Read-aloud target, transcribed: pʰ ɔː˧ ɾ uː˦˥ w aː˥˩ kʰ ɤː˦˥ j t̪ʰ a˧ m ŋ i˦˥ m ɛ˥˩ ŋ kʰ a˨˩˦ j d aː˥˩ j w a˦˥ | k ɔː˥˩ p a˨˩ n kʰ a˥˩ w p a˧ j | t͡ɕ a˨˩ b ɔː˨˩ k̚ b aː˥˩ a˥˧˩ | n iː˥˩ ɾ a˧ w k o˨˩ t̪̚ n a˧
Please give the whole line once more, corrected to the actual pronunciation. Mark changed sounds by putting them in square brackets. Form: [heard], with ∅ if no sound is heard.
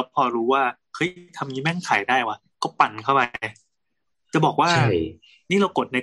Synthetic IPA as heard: pʰ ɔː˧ ɾ uː˦˥ w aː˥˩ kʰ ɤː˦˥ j t̪ʰ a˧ m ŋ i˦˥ m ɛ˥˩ ŋ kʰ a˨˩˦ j d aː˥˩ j w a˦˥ | k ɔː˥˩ p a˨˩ n kʰ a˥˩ w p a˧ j | t͡ɕ a˨˩ b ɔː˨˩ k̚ [w] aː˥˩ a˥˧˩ | n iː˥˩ ɾ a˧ w k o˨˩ t̪̚ n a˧